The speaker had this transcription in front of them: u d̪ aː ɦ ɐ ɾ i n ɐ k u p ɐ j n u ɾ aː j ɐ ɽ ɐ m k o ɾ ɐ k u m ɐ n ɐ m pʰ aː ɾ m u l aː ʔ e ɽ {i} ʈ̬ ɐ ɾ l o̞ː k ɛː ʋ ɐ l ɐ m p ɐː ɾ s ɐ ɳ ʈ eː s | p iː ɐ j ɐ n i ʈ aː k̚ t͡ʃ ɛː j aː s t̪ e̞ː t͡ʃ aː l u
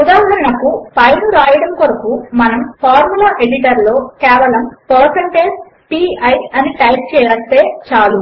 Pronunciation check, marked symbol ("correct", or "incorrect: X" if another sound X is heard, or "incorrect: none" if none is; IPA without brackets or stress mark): correct